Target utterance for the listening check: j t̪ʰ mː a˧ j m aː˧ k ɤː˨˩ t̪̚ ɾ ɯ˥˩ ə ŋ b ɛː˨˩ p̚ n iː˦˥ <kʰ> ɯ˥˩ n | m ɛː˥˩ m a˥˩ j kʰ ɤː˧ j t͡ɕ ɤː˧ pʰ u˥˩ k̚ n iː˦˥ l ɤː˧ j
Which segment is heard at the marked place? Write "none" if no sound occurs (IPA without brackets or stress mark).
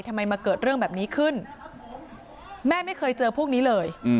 kʰ